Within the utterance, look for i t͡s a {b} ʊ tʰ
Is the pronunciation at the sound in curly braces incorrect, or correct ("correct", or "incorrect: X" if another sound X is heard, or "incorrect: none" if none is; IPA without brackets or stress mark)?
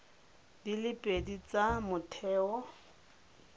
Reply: incorrect: m